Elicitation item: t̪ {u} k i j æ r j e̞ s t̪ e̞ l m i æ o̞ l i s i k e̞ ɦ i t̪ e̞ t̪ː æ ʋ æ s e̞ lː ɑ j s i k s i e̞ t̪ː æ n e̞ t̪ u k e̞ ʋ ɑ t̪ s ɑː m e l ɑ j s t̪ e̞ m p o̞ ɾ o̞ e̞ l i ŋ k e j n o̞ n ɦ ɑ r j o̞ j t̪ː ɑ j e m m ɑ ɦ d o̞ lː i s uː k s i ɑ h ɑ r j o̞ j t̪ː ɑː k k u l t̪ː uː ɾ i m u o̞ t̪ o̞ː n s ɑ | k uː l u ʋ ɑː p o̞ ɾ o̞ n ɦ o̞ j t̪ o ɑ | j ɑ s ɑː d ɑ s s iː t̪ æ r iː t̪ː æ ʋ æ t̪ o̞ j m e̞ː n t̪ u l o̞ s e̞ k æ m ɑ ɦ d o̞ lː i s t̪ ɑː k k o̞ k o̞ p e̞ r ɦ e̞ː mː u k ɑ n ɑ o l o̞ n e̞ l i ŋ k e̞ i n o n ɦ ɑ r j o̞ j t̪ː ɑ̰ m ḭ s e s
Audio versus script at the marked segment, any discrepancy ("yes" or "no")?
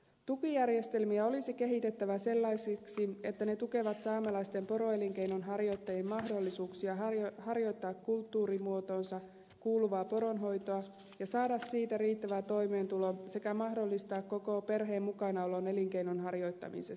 no